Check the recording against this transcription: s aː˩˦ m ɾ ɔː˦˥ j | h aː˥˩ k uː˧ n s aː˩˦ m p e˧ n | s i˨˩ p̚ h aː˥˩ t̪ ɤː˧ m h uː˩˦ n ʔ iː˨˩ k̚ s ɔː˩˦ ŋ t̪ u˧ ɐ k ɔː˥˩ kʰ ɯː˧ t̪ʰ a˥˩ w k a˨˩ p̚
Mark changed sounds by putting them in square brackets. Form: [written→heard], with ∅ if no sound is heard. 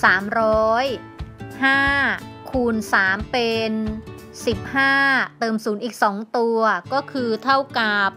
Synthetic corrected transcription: s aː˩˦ m ɾ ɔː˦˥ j | h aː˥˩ [k→kʰ] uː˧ n s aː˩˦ m p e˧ n | s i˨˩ p̚ h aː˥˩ t̪ ɤː˧ m [h→s] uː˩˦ n ʔ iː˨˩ k̚ s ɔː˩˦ ŋ t̪ u˧ ɐ k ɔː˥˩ kʰ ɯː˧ t̪ʰ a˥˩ w k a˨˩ p̚